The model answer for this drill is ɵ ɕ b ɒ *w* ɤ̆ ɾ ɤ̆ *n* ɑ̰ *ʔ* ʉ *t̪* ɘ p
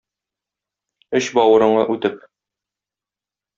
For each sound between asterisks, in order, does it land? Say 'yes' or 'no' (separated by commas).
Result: yes, no, yes, yes